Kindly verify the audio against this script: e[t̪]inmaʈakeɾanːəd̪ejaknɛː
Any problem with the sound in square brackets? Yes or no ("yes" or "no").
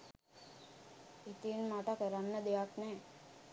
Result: no